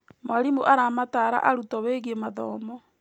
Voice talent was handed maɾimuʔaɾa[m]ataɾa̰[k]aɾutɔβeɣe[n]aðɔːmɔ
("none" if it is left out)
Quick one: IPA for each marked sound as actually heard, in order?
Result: m, ʔ, m

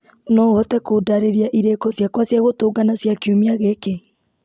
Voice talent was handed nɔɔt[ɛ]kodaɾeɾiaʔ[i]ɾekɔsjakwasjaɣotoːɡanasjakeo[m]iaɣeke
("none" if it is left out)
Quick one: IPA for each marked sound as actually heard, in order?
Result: ɛ, i, m

